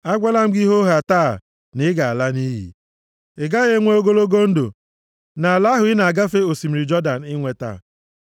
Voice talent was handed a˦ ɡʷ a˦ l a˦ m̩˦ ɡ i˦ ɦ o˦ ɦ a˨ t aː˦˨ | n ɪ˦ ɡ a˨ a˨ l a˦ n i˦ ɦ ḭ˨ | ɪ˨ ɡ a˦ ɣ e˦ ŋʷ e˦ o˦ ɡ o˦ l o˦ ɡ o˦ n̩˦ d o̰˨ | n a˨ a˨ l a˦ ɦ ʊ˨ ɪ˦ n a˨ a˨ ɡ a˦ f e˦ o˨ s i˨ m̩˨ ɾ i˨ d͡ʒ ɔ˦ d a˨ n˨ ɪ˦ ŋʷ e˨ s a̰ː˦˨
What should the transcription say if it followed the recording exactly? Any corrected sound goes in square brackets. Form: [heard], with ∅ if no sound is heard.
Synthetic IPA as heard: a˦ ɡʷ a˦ l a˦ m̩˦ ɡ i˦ ɦ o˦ ɦ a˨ t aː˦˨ | n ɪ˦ ɡ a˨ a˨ l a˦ n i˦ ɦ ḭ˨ | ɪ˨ ɡ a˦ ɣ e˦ ŋʷ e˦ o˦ ɡ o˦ l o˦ ɡ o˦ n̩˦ d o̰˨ | n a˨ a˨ l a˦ ɦ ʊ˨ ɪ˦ n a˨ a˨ ɡ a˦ f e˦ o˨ s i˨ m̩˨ ɾ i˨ d͡ʒ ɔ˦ d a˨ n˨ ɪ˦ ŋʷ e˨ [t] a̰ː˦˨